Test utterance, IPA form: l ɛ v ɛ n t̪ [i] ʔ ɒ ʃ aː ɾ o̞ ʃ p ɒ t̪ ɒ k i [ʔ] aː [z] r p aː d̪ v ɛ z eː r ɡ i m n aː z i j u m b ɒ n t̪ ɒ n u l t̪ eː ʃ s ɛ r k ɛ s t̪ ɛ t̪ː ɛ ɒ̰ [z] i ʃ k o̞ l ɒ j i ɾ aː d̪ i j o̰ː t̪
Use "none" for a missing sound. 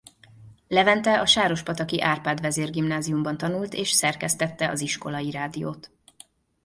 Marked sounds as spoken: ɛ, ʔ, none, z

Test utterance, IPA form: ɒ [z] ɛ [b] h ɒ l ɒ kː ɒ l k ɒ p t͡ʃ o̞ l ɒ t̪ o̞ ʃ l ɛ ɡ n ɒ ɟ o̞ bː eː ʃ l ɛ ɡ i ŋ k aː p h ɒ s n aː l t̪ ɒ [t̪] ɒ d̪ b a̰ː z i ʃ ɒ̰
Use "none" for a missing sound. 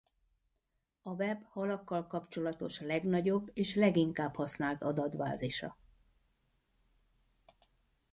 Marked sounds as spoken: v, b, d̪

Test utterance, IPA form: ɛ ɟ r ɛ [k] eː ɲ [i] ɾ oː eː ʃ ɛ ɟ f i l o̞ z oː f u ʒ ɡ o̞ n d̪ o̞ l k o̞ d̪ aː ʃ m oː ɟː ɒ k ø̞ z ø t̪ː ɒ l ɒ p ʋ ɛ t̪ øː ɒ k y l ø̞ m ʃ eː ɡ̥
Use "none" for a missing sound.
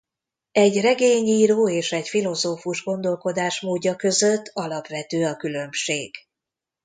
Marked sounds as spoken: ɡ, iː

